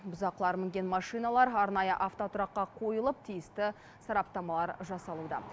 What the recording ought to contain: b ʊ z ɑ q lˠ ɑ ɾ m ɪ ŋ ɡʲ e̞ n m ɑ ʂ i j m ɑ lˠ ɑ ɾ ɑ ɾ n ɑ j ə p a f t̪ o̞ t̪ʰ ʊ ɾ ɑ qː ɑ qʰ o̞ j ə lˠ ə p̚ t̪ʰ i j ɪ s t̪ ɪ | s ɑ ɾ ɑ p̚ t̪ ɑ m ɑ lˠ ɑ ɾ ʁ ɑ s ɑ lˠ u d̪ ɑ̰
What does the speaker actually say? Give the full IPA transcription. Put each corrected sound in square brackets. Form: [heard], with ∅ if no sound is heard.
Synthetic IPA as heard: b ʊ z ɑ q lˠ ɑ ɾ m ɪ ŋ ɡʲ e̞ n m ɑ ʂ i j [n] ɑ lˠ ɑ ɾ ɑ ɾ n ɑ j ə [ʔ] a f t̪ o̞ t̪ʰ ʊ ɾ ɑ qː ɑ qʰ o̞ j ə lˠ ə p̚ t̪ʰ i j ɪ s t̪ ɪ | s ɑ ɾ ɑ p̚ t̪ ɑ m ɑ lˠ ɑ ɾ [ʒ] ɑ s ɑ lˠ u d̪ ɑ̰

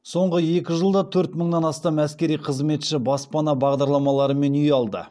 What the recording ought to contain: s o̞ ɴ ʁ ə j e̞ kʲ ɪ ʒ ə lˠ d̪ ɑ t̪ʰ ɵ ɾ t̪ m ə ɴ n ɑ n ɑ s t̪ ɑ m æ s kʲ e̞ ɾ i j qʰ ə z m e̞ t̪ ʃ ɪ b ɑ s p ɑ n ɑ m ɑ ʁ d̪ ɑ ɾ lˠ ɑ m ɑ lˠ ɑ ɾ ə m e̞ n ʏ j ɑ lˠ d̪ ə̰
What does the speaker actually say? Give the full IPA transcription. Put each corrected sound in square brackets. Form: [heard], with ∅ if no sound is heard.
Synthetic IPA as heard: s o̞ ɴ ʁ ə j e̞ kʲ ɪ ʒ ə lˠ d̪ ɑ t̪ʰ ɵ ɾ t̪ m ə ɴ n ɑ n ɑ s t̪ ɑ m æ s kʲ e̞ ɾ i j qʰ ə z m e̞ t̪ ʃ ɪ b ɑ s p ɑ n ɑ [b] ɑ ʁ d̪ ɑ ɾ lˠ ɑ m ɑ lˠ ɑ ɾ ə m e̞ n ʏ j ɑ lˠ d̪ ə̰

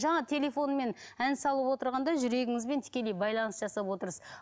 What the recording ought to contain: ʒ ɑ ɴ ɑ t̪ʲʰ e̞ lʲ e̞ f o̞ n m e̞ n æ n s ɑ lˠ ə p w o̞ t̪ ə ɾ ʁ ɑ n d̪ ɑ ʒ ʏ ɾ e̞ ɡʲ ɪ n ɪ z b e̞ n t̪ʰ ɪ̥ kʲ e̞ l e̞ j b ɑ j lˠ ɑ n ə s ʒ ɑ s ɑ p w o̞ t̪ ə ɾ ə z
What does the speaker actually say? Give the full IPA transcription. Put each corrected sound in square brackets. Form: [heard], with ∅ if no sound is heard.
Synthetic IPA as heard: ʒ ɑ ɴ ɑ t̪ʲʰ e̞ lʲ e̞ f o̞ n m e̞ n æ n s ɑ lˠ ə p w o̞ t̪ ə ɾ ʁ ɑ n d̪ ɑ ʒ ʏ ɾ e̞ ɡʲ ɪ [ŋ] ɪ z b e̞ n t̪ʰ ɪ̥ kʲ e̞ l e̞ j b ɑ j lˠ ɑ n ə s ʒ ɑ s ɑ p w o̞ t̪ ə ɾ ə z

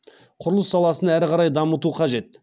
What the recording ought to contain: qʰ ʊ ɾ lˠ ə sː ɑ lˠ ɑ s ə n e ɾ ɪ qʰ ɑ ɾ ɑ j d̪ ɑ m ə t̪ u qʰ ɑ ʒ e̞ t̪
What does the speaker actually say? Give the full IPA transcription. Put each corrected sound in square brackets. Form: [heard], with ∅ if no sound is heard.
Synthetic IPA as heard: qʰ ʊ ɾ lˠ ə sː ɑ lˠ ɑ s ə n [æ] ɾ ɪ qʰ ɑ ɾ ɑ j d̪ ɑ m ə t̪ u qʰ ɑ ʒ e̞ t̪

